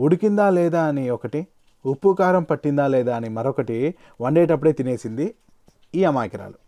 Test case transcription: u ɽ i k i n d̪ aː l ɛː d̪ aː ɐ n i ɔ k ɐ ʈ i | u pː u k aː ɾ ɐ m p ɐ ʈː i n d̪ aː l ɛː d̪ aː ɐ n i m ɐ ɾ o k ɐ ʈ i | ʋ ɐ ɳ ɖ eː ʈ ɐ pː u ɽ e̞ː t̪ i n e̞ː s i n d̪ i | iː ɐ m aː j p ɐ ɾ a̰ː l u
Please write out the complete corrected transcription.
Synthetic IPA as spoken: u ɽ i k i n d̪ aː l ɛː d̪ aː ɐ n i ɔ k ɐ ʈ i | u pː u k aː ɾ ɐ m p ɐ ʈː i n d̪ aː l ɛː d̪ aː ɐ n i m ɐ ɾ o k ɐ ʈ i | ʋ ɐ ɳ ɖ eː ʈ ɐ pː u ɽ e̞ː t̪ i n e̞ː s i n d̪ i | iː ɐ m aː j k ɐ ɾ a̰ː l u